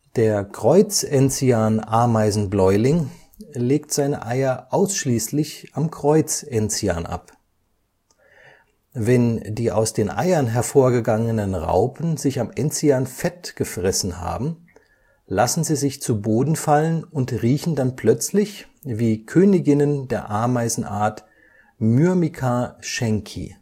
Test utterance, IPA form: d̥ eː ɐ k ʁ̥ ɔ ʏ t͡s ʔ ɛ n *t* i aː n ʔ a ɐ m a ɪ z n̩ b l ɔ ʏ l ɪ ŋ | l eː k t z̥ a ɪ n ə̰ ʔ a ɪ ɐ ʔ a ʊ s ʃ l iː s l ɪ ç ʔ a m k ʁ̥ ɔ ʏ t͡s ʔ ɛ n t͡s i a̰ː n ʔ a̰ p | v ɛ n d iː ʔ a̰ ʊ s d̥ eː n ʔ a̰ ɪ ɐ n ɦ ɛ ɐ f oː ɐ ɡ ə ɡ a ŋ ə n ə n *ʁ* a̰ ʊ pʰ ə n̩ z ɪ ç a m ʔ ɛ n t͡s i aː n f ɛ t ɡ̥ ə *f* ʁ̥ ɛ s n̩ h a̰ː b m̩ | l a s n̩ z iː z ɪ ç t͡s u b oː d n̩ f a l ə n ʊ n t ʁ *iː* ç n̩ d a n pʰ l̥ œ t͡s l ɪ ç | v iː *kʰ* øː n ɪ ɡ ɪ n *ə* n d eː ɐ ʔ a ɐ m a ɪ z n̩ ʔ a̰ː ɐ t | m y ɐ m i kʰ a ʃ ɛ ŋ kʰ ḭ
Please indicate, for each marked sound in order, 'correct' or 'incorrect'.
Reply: incorrect: t͡s, correct, correct, correct, correct, correct

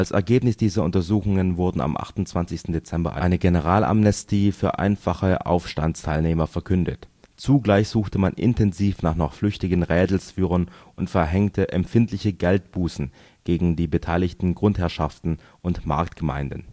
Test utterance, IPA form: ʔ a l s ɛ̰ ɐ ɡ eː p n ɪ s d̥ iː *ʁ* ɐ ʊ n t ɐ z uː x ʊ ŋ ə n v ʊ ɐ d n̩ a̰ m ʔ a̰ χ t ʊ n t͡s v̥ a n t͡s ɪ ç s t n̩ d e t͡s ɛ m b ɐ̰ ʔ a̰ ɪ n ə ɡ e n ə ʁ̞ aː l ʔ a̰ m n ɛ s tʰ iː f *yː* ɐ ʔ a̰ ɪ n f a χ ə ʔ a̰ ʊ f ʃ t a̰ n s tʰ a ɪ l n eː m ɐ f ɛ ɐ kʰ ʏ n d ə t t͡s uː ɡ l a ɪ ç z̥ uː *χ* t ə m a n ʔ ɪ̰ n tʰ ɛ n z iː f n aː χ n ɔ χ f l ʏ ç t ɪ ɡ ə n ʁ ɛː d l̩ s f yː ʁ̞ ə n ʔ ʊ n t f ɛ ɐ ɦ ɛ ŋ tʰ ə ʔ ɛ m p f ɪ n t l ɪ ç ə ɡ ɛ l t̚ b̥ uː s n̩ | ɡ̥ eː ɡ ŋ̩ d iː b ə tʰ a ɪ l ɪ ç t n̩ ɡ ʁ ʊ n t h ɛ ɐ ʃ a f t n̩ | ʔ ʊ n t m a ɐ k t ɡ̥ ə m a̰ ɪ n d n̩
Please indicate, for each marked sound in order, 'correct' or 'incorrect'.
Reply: incorrect: z, correct, incorrect: x

